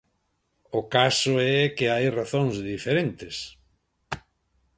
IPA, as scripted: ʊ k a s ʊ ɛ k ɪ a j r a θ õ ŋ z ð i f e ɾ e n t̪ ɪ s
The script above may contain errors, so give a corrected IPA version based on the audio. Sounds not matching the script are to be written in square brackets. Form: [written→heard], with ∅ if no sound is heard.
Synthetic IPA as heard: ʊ k a s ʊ ɛ k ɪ a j r a θ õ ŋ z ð i f e ɾ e n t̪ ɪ s